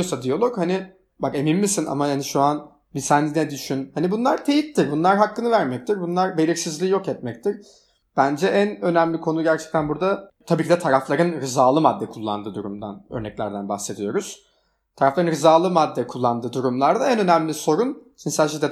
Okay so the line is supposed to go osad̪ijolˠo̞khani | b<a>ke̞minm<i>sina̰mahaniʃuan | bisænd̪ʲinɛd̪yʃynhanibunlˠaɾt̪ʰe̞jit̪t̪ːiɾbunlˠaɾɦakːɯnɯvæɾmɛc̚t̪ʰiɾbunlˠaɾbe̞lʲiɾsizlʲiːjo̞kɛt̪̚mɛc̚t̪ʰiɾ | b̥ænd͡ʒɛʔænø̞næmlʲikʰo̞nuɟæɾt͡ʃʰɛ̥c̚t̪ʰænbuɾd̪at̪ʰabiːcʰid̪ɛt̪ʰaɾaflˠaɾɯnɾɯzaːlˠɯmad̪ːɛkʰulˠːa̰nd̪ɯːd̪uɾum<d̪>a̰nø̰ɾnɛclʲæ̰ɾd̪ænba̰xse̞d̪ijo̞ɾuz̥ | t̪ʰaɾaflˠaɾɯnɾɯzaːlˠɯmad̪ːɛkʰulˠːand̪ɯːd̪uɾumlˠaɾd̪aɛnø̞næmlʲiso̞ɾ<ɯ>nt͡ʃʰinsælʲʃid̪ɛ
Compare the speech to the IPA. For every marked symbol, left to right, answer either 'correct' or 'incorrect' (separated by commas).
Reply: correct, correct, correct, incorrect